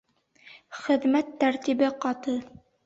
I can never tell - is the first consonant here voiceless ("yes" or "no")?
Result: yes